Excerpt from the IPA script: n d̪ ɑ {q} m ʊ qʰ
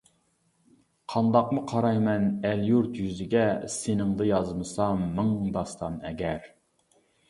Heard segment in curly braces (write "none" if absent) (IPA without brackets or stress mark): q